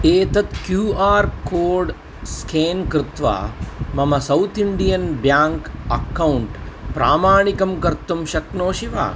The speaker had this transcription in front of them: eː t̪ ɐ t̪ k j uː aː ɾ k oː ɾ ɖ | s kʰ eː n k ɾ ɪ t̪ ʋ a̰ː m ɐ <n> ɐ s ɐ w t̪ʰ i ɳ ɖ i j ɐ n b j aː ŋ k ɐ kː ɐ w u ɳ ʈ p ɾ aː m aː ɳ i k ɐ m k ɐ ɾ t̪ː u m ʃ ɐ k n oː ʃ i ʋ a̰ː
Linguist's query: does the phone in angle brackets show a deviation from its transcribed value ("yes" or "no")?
yes